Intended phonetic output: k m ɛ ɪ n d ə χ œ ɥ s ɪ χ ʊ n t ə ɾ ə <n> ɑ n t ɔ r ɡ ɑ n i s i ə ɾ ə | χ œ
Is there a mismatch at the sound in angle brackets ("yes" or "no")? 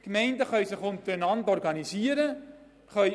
no